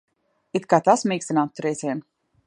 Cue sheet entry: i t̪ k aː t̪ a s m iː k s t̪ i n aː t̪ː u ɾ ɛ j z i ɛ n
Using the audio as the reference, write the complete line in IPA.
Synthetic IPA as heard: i t̪ k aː t̪ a s m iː k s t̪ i n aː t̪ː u ɾ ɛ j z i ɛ n